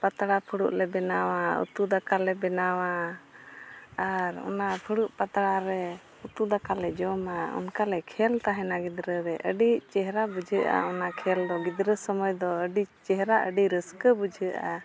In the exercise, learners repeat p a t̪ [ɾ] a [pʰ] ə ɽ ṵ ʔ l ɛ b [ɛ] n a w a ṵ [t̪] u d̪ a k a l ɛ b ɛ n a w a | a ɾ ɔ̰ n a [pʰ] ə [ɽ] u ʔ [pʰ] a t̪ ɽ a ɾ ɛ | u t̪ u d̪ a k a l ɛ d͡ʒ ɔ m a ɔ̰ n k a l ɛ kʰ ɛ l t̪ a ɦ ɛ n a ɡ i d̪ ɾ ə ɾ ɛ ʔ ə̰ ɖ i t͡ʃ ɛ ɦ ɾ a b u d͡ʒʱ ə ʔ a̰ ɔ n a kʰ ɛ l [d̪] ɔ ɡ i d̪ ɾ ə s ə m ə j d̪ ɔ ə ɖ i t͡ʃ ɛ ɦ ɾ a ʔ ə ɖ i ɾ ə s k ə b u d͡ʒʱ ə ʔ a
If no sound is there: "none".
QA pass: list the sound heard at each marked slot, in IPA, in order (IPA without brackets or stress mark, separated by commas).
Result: ɽ, pʰ, ɛ, t̪, pʰ, ɽ, p, d̪